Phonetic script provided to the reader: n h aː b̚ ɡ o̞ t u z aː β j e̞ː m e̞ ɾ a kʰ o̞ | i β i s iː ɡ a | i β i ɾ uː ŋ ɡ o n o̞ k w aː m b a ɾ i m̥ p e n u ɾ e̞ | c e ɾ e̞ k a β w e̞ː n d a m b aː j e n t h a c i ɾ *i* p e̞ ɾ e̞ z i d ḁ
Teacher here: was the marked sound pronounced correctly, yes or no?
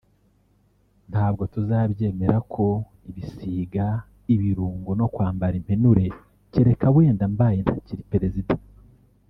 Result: yes